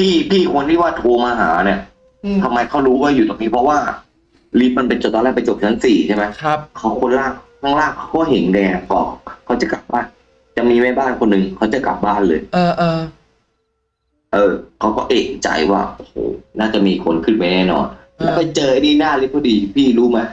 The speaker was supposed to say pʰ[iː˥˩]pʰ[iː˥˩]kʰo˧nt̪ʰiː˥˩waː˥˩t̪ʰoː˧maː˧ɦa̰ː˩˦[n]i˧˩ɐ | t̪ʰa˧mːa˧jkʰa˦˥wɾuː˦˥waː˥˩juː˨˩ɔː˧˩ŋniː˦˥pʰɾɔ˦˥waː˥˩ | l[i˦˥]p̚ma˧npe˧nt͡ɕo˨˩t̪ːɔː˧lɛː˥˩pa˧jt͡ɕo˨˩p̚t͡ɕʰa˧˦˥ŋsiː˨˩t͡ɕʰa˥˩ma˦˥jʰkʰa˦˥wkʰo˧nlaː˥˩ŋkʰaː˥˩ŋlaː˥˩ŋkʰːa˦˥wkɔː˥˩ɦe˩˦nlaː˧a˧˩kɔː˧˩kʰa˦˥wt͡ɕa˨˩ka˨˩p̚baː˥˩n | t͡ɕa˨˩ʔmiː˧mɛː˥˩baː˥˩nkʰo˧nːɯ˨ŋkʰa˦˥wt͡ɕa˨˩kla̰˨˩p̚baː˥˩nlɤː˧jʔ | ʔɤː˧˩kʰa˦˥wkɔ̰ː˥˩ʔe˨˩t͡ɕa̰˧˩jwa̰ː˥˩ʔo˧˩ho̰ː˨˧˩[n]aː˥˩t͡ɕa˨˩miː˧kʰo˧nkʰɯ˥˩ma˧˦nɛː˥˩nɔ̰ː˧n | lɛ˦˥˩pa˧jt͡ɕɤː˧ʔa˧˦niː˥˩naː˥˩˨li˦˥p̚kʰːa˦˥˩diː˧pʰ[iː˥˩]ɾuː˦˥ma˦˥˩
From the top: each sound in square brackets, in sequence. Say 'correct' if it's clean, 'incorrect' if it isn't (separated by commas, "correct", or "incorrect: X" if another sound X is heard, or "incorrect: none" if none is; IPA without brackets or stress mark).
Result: correct, correct, correct, correct, correct, correct